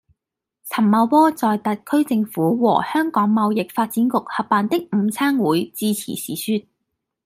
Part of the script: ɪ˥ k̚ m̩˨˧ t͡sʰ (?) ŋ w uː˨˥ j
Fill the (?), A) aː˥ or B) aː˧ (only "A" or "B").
A